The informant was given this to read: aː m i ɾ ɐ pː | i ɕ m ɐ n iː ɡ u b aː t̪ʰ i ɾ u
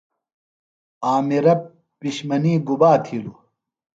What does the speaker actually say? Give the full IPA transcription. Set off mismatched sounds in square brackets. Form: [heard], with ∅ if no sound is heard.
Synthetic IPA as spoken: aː m i ɾ ɐ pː | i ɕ m ɐ n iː ɡ u b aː t̪ʰ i [l] u